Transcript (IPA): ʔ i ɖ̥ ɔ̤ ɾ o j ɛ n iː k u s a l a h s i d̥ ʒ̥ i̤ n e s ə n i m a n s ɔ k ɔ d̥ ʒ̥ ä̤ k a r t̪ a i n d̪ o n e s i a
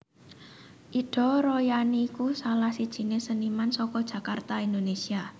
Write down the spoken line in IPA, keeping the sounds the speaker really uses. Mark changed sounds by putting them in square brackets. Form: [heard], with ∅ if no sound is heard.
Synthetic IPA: ʔ i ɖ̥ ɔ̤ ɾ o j [a] n iː k u s a l a h s i d̥ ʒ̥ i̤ n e s ə n i m a n s ɔ k ɔ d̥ ʒ̥ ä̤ k a r t̪ a i n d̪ o n e s i a